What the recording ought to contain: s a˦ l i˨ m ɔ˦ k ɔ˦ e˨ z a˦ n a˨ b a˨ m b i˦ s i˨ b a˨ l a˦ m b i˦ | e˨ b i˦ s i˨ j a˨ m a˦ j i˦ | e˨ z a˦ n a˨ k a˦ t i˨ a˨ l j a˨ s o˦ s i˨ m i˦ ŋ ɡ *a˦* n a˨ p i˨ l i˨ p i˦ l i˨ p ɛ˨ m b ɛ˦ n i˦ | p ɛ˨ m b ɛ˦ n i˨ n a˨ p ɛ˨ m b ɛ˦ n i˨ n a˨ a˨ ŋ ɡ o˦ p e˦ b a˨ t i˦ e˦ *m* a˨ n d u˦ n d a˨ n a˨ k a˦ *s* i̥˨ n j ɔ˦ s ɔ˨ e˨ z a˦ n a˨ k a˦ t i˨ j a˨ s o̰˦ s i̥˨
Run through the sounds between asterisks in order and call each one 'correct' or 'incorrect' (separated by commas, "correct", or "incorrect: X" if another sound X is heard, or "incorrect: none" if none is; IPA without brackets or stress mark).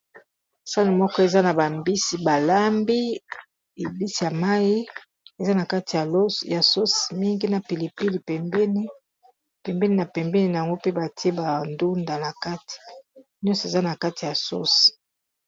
incorrect: i˦, incorrect: b, incorrect: t